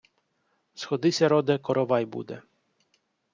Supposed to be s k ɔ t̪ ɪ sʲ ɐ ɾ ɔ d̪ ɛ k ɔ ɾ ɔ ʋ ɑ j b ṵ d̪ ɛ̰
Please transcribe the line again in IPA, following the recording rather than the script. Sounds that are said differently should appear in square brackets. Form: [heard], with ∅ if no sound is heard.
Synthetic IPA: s [x] ɔ [d̪] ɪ sʲ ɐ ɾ ɔ d̪ ɛ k ɔ ɾ ɔ ʋ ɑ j b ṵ d̪ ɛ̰